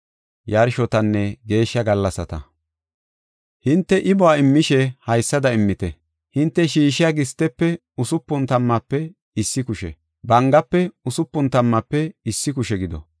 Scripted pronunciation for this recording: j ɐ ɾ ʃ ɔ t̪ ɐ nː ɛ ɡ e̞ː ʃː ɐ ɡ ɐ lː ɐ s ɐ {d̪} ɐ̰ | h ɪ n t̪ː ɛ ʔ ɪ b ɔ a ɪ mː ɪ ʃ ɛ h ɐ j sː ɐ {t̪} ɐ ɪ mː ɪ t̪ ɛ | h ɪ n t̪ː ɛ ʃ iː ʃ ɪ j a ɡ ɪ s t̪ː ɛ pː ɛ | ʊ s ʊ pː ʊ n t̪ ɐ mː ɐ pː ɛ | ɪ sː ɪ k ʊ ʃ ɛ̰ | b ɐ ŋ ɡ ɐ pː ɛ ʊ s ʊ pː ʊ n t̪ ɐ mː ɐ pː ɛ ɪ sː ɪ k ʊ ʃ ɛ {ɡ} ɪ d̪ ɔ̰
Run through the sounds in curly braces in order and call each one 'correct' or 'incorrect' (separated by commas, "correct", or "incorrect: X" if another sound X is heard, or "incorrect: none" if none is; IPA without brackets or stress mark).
incorrect: t̪, incorrect: d̪, correct